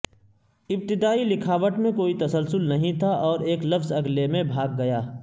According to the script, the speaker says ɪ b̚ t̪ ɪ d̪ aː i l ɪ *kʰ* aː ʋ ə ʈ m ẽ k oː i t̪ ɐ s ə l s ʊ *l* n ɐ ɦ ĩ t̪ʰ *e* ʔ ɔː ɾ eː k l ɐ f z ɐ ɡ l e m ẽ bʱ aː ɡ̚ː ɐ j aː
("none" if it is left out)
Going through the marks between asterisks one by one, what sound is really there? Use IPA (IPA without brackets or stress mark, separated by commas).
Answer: kʰ, l, a